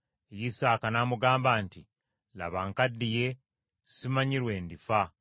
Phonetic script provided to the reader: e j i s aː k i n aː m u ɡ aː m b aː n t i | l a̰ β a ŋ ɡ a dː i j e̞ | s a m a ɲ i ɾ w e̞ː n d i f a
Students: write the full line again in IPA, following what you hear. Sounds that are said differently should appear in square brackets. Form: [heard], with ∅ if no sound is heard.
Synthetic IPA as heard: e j i s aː k [a] n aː m u ɡ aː m b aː n t i | l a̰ β a ŋ [k] a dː i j e̞ | s [i] m a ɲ i ɾ w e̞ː n d i f a